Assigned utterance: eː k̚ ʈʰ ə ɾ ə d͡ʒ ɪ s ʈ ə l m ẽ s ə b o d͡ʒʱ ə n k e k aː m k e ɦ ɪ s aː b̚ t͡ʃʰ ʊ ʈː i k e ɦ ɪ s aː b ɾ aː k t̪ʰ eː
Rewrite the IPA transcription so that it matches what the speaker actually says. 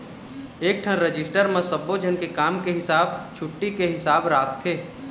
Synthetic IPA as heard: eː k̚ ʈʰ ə ɾ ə d͡ʒ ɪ s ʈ ə ɾ m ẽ s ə b o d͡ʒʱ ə n k e k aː m k e ɦ ɪ s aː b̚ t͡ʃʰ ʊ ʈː i k e ɦ ɪ s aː b ɾ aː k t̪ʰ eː